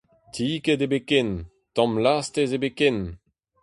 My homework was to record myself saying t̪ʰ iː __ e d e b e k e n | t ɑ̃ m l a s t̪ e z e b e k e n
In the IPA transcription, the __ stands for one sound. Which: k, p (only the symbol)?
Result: k